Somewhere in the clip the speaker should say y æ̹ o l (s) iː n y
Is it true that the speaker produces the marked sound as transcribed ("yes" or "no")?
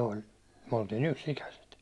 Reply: no